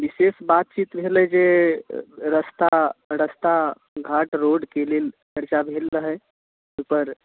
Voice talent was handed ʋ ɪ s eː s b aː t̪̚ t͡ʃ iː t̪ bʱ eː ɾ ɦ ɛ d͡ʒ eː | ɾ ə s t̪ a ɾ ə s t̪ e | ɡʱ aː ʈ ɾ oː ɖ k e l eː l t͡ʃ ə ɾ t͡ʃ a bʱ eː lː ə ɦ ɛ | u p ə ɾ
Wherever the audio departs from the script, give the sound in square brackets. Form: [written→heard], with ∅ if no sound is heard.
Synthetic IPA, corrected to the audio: ʋ ɪ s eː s b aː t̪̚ t͡ʃ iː t̪ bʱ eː [ɾ→l] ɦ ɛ d͡ʒ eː | ɾ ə s t̪ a ɾ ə s t̪ [e→a] | ɡʱ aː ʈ ɾ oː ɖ k e l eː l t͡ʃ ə ɾ t͡ʃ a bʱ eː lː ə ɦ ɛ | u p ə ɾ